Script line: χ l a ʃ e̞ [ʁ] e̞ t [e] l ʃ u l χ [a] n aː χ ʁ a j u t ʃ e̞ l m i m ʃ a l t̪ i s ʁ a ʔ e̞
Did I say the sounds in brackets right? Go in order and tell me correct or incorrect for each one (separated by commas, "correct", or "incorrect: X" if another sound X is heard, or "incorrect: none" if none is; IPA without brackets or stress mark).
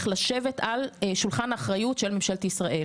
incorrect: v, incorrect: a, correct